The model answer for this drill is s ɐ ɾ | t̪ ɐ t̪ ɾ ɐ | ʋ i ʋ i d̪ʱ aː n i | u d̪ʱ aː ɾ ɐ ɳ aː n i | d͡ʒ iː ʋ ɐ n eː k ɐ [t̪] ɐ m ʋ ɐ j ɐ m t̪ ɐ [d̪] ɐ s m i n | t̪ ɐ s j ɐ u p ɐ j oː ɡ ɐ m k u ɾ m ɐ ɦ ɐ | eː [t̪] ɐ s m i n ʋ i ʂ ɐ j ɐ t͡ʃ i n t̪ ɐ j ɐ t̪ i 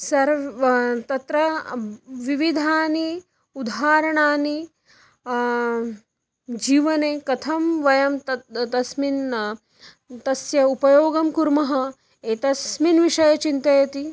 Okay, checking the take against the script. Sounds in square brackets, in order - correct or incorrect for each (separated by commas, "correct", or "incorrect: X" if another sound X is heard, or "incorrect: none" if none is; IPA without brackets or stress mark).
incorrect: t̪ʰ, incorrect: t̪, correct